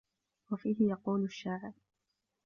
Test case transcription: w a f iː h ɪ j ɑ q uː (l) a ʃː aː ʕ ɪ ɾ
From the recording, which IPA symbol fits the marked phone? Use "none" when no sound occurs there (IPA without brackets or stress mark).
l